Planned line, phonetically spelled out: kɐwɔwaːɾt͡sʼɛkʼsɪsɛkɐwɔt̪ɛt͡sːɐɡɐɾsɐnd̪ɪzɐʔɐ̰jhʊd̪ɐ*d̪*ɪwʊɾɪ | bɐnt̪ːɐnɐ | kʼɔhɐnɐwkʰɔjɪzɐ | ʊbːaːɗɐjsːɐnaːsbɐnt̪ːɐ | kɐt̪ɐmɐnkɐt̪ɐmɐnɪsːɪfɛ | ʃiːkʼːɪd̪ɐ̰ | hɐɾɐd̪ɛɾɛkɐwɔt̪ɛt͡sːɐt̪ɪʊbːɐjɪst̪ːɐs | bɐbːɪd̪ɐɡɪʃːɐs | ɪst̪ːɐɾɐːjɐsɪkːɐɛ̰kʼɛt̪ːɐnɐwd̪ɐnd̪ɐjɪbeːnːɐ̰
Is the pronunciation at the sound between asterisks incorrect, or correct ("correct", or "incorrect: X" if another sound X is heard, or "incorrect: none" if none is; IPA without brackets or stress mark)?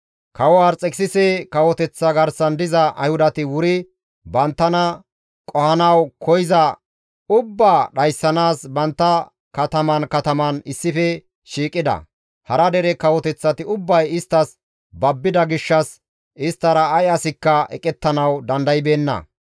incorrect: t̪